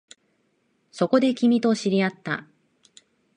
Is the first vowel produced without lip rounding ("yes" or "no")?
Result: no